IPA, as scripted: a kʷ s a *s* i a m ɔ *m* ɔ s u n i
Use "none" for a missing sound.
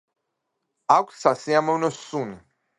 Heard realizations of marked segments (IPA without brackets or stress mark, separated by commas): s, n